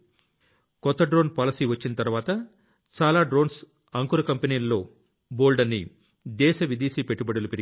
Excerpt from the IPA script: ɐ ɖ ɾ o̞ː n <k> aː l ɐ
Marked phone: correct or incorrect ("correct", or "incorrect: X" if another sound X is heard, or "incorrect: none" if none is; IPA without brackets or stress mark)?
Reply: incorrect: p